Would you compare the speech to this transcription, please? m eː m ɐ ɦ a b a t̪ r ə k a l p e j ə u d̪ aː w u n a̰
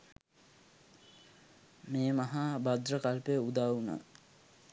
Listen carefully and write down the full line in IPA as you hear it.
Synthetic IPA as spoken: m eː m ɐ ɦ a b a d̪ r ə k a l p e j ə u d̪ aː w u n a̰